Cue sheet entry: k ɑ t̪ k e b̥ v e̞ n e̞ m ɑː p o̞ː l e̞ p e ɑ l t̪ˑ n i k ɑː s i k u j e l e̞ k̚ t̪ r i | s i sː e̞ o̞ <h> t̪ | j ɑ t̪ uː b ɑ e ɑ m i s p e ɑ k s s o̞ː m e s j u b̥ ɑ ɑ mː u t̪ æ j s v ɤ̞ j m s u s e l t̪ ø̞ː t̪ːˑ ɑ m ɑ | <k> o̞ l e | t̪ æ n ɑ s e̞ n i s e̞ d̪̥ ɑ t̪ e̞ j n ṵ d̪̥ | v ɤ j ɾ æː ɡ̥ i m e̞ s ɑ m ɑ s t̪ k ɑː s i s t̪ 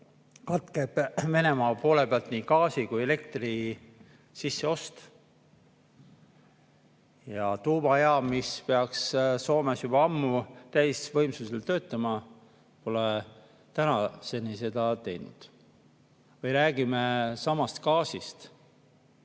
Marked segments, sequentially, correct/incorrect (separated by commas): incorrect, incorrect